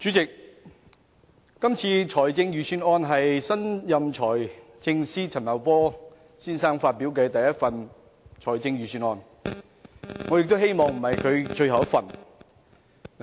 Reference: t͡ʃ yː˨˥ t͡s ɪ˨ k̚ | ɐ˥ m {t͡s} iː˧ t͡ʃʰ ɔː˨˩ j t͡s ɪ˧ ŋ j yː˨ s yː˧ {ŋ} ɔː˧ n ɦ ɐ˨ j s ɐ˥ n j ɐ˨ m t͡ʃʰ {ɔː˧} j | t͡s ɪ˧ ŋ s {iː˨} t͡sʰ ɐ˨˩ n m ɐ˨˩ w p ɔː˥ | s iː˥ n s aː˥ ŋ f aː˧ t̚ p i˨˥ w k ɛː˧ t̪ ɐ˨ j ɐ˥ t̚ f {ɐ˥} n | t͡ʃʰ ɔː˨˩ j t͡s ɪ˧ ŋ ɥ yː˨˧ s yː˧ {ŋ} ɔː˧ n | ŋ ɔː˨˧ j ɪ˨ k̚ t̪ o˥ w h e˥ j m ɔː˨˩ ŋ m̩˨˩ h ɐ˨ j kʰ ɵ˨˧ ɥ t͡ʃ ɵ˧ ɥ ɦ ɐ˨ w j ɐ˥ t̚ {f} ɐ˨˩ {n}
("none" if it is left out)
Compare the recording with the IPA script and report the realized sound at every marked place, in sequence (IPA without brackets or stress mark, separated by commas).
t͡sʰ, n, ɔː˨˩, iː˥, ɐ˨, n, f, n